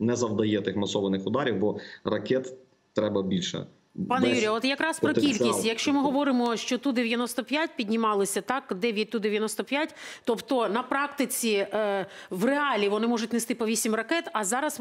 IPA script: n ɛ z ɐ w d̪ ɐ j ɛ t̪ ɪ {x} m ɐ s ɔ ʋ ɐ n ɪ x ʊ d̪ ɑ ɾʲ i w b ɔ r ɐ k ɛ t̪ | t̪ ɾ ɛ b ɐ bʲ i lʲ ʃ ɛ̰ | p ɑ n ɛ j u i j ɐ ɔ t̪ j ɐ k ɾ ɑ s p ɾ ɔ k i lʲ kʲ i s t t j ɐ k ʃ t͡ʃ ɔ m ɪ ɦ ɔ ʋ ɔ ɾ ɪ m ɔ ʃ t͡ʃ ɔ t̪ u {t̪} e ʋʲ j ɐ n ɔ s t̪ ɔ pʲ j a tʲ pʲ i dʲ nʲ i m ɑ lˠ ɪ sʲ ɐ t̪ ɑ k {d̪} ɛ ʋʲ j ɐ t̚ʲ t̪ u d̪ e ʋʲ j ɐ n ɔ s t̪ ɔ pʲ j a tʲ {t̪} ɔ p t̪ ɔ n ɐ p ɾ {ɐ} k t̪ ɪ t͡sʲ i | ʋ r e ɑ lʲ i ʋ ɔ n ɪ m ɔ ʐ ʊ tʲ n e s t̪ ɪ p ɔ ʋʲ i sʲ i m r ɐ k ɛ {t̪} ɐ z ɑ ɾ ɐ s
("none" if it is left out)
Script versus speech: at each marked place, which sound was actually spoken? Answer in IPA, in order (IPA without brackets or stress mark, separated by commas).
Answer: x, d̪, d̪, t̪, ɑ, t̪